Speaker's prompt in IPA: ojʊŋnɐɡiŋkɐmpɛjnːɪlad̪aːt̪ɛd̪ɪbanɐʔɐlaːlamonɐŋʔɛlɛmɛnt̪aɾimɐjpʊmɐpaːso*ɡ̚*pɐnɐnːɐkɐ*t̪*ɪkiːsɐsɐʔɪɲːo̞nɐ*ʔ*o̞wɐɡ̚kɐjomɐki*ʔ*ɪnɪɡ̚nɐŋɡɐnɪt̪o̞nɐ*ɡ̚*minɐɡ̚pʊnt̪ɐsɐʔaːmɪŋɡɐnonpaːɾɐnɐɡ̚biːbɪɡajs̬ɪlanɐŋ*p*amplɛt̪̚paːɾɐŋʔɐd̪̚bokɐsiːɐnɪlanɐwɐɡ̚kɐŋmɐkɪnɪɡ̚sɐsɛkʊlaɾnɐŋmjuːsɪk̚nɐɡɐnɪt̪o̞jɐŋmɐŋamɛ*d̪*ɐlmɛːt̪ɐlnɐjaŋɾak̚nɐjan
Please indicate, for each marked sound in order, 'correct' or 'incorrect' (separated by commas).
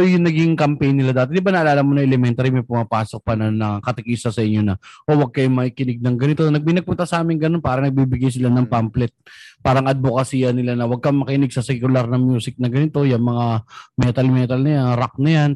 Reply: incorrect, correct, correct, incorrect, correct, correct, incorrect